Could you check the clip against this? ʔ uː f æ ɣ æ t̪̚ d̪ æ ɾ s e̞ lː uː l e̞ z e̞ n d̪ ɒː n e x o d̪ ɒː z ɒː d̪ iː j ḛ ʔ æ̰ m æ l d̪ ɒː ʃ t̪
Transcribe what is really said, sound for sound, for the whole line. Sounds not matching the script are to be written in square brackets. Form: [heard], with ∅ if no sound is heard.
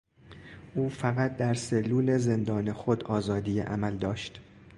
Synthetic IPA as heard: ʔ uː f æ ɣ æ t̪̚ d̪ æ ɾ s e̞ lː uː l e̞ z e̞ n d̪ ɒː n e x o d̪ ɒː z ɒː d̪ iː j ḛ ʔ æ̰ m æ l d̪ ɒː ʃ t̪